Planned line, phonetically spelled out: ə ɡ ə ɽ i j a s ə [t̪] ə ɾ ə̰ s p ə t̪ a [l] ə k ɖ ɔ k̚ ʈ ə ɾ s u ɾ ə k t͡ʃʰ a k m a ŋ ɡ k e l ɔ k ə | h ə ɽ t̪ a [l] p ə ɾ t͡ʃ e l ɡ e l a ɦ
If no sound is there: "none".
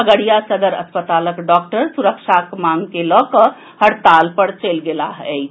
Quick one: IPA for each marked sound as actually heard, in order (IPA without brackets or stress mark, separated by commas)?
d̪, l, l